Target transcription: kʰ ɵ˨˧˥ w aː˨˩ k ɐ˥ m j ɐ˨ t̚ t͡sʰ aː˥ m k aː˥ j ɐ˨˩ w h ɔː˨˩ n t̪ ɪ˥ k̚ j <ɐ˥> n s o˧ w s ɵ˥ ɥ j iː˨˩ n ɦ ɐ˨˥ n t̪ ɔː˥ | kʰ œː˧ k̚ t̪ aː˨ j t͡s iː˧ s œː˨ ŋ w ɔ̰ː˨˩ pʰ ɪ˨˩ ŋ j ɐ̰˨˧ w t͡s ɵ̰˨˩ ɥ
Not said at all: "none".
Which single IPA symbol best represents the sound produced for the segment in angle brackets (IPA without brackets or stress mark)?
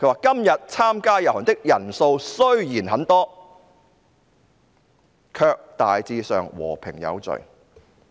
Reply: ɐ˨˩